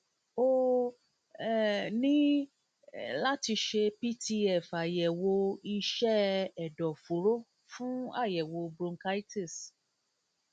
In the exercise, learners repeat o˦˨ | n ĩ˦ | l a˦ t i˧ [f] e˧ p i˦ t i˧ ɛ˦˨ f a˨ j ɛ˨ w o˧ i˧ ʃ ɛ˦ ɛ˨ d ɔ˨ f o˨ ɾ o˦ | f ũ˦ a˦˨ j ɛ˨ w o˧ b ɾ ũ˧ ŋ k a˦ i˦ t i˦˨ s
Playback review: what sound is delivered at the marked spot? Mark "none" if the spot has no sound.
ʃ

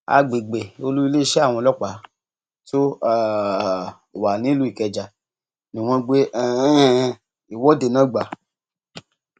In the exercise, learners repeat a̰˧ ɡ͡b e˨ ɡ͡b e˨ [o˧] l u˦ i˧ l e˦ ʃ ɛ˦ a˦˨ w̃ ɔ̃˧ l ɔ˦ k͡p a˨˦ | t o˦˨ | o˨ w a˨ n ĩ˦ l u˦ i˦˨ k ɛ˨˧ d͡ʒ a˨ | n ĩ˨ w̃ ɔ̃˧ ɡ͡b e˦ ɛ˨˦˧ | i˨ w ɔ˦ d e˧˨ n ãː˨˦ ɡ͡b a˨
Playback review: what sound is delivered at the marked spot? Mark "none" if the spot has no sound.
o˧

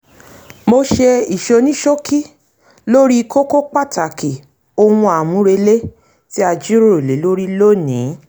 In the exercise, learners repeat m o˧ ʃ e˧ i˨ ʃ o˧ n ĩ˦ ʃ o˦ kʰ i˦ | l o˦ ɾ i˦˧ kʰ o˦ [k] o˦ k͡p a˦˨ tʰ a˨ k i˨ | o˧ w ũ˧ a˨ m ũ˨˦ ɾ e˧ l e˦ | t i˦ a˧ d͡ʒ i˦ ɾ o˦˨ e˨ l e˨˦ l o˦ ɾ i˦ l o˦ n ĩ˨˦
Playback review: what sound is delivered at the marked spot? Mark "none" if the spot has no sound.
k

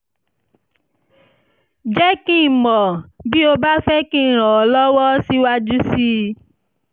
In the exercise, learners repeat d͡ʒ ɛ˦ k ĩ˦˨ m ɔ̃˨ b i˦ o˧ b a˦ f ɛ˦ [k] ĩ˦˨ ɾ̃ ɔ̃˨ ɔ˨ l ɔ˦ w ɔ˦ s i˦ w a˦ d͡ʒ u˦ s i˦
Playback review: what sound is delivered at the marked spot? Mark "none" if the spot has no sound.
k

